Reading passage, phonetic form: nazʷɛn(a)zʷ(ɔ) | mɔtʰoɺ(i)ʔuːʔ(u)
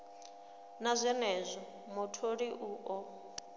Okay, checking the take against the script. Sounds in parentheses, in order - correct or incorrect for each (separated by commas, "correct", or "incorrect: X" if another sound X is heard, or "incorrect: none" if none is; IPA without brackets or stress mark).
incorrect: ɛ, correct, correct, incorrect: ɔ